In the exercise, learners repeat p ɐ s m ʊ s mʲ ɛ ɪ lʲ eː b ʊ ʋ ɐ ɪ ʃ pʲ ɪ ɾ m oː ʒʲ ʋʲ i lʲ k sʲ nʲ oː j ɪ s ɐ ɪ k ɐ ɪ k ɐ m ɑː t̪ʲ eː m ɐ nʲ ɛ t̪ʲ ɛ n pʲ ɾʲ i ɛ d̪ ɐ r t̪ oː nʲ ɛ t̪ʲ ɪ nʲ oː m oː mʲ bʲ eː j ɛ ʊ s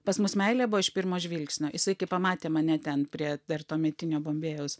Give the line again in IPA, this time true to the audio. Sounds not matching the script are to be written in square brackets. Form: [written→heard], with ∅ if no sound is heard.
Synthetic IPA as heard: p ɐ s m ʊ s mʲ ɛ ɪ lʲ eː b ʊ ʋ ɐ ɪ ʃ pʲ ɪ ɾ m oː ʒʲ ʋʲ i lʲ k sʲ nʲ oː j ɪ s ɐ ɪ k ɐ ɪ [k→p] ɐ m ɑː t̪ʲ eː m ɐ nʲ ɛ t̪ʲ ɛ n pʲ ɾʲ i ɛ d̪ ɐ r t̪ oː [nʲ→mʲ] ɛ t̪ʲ ɪ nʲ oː [m→b] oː mʲ bʲ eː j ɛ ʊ s